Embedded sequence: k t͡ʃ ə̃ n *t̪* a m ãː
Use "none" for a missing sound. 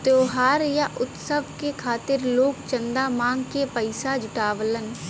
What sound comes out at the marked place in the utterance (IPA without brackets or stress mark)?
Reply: d̪